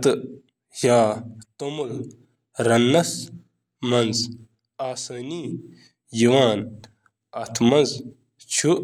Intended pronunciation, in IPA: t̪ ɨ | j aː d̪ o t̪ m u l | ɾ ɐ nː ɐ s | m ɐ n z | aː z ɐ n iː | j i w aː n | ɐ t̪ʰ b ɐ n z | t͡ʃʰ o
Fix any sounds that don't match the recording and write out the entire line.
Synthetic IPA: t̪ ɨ | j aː t̪ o m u l | ɾ ɐ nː ɐ s | m ɐ n z | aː s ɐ n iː | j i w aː n | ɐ t̪ʰ m ɐ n z | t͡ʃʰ u